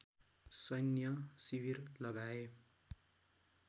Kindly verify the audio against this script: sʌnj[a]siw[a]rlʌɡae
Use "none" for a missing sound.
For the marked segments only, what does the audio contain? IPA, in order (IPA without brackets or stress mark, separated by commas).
ʌ, i